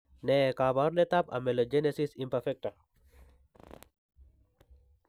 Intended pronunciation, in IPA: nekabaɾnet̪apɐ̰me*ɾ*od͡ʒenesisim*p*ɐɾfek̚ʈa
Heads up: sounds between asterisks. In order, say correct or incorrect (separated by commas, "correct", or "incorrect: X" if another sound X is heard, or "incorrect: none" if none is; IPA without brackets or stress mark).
incorrect: l, correct